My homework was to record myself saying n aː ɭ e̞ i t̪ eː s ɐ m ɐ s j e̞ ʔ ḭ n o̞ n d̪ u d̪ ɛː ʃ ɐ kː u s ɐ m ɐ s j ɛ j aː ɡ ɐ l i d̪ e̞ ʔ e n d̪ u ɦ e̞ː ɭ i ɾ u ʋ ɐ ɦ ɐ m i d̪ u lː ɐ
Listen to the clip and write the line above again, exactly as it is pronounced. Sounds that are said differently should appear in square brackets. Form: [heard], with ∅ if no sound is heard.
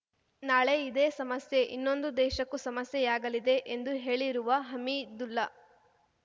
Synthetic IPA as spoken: n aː ɭ e̞ i [d̪] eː s ɐ m ɐ s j e̞ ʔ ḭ [nː] o̞ n d̪ u d̪ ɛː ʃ ɐ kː u s ɐ m ɐ s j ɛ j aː ɡ ɐ l i d̪ e̞ ʔ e n d̪ u ɦ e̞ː ɭ i ɾ u ʋ ɐ ɦ ɐ m i d̪ u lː ɐ